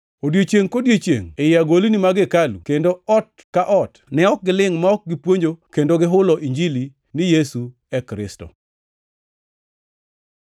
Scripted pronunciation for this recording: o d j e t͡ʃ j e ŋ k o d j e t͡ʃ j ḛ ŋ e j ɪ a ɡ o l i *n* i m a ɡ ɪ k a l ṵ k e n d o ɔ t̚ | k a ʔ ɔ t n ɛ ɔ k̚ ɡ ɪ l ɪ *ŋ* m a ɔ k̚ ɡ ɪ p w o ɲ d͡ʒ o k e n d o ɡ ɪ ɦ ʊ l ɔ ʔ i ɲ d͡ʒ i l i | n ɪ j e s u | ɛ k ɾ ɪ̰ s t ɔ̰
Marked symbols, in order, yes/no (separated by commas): yes, yes